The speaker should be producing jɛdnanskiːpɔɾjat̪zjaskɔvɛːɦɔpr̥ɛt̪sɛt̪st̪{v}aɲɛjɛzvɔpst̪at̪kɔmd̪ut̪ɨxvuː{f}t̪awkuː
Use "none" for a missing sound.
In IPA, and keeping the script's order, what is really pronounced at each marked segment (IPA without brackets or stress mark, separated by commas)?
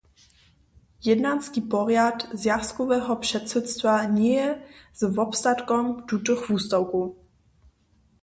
v, s